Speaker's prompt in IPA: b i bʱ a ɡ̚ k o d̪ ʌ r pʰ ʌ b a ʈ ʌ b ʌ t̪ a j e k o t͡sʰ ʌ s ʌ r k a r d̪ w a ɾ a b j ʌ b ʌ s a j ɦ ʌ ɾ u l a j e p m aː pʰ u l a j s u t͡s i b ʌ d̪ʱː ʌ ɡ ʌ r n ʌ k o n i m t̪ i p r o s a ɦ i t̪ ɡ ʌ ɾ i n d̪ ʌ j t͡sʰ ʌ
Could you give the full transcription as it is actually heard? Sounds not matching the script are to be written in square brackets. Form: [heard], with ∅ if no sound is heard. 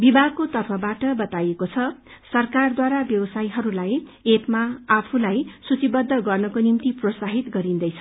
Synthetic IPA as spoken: b i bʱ a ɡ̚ k o [t̪] ʌ r pʰ ʌ b a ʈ ʌ b ʌ t̪ a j e k o t͡sʰ ʌ s ʌ r k a r d̪ w a ɾ a b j ʌ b ʌ s a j ɦ ʌ ɾ u l a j e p m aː pʰ u l a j s u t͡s i b ʌ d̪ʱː ʌ ɡ ʌ r n ʌ k o n i m t̪ i p r o s a ɦ i t̪ ɡ ʌ ɾ i n d̪ ʌ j t͡sʰ ʌ